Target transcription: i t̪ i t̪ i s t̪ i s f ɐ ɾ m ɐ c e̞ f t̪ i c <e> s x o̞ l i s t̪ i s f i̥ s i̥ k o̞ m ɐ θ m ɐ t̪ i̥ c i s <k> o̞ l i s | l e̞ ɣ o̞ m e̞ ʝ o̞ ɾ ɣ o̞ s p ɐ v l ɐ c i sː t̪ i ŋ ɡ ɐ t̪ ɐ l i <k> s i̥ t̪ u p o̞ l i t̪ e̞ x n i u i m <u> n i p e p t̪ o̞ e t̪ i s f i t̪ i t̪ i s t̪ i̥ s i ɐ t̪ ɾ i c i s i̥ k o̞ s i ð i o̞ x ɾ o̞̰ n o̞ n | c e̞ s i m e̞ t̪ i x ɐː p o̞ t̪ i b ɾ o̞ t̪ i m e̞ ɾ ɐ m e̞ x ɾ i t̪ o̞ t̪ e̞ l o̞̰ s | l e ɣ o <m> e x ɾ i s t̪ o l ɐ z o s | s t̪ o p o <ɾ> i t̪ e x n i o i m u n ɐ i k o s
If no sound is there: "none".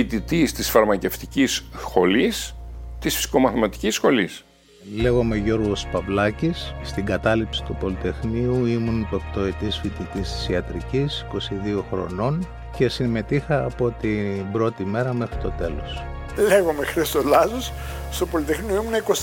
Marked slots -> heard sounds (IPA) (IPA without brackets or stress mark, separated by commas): i, x, p, u, m, l